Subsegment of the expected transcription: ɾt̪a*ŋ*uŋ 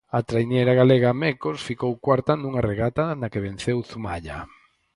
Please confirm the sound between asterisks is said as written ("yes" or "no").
no